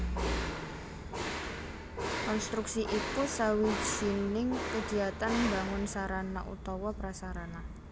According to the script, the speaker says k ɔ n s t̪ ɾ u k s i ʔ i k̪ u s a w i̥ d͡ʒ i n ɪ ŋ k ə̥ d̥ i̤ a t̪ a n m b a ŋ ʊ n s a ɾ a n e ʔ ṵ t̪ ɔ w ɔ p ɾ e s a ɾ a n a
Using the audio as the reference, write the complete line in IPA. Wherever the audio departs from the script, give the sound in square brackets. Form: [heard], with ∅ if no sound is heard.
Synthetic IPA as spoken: k ɔ n s t̪ ɾ u k s i ʔ i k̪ u s a w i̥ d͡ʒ i n ɪ ŋ k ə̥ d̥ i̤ a t̪ a n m b a ŋ ʊ n s a ɾ a n [a] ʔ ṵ t̪ ɔ w ɔ p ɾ [a] s a ɾ a n a